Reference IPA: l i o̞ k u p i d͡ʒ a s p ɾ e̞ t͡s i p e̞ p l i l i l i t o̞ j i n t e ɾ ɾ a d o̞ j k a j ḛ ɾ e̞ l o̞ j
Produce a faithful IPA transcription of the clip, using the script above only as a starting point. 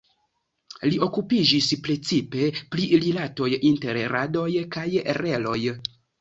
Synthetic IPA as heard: l i o̞ k u p i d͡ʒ i s p ɾ e̞ t͡s i p e̞ p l i l i l a t o̞ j i n t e ɾ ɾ a d o̞ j k a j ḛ ɾ e̞ l o̞ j